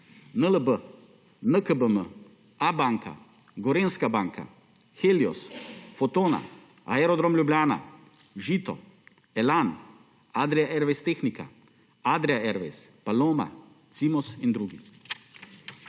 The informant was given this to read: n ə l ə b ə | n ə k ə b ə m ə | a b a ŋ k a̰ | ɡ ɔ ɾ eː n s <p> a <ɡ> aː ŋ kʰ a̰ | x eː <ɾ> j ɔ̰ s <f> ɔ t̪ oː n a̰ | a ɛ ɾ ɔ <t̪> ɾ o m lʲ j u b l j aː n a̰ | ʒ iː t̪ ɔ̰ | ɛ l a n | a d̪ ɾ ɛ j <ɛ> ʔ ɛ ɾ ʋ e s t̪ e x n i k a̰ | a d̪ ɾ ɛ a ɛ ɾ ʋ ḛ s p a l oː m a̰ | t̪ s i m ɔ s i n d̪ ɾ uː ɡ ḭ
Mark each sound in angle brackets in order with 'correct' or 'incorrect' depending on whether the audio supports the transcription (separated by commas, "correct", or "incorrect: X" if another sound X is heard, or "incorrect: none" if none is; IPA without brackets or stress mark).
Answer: incorrect: k, incorrect: b, incorrect: l, correct, incorrect: d̪, incorrect: a